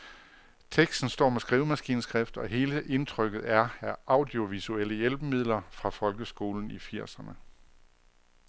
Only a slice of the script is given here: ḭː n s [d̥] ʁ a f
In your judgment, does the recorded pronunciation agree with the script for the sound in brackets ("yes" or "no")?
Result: no